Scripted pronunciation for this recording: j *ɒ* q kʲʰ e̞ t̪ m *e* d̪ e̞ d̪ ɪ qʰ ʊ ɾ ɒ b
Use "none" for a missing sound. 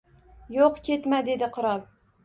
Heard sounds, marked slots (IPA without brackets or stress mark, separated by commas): o, a